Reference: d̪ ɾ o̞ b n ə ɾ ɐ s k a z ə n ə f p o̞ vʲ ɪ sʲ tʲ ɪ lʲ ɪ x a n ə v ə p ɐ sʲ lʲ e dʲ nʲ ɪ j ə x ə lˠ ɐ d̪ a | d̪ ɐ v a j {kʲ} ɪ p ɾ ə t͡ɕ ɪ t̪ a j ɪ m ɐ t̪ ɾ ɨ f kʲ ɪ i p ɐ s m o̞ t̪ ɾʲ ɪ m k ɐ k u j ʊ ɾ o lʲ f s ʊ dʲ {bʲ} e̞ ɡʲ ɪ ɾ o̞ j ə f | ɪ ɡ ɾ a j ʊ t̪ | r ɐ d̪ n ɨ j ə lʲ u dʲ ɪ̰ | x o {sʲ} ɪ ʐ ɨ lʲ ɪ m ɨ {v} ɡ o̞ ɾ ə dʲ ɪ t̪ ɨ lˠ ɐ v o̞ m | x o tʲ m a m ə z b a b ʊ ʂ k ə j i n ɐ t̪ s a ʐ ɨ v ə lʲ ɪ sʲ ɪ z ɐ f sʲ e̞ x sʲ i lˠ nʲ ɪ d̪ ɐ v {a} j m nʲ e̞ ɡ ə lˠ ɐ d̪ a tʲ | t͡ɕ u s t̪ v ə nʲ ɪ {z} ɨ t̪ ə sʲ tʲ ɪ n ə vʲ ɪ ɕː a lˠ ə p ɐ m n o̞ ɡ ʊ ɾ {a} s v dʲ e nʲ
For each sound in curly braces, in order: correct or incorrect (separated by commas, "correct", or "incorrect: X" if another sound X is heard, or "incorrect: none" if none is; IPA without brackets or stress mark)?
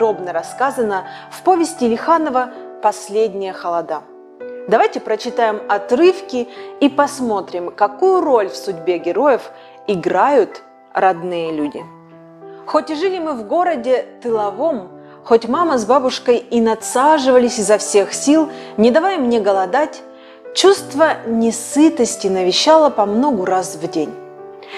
incorrect: tʲ, correct, incorrect: tʲ, correct, correct, incorrect: s, correct